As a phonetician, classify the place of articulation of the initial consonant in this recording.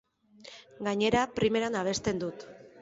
velar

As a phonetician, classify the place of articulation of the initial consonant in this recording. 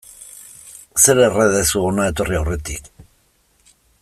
alveolar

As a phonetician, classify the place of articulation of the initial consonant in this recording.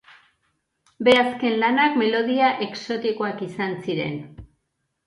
labial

